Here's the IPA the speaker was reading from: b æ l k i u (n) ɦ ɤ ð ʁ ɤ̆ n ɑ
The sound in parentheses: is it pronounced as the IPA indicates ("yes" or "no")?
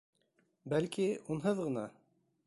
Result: yes